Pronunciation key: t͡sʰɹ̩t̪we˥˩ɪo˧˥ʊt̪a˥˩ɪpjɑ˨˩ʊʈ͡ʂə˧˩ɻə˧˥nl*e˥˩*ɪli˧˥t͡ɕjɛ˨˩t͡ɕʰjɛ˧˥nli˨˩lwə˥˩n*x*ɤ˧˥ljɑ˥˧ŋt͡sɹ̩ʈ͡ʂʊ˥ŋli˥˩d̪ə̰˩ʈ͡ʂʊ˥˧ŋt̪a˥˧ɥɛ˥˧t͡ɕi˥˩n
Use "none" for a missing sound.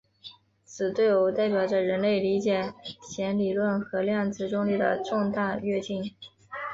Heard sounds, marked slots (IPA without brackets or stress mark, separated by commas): e˥˩, x